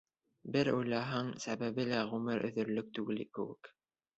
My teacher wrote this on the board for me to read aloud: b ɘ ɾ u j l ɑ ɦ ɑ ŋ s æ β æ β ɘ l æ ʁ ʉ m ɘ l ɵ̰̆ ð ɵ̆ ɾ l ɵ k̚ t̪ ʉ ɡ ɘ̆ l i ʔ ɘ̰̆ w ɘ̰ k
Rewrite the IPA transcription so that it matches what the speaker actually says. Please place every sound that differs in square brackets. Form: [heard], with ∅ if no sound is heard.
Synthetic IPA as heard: b ɘ ɾ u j l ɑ ɦ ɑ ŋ s æ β æ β ɘ l æ ʁ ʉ m ɘ [ɾ] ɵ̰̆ ð ɵ̆ ɾ l ɵ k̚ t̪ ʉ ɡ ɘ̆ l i [k] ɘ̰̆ w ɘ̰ k